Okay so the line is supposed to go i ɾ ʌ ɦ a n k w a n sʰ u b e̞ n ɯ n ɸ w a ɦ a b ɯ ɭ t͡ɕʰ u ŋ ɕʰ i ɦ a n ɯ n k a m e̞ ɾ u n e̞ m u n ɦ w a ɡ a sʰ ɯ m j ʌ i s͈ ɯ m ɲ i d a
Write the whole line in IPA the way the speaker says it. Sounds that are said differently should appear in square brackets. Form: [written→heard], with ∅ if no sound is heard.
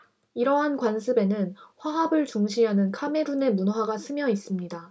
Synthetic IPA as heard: i ɾ ʌ ɦ a n k w a n sʰ [u→ɯ] b e̞ n ɯ n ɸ w a ɦ a b ɯ ɭ [t͡ɕʰ→t͡ɕ] u ŋ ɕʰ i ɦ a n ɯ n [k→kʰ] a m e̞ ɾ u n e̞ m u n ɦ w a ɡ a sʰ ɯ m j ʌ i s͈ ɯ m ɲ i d a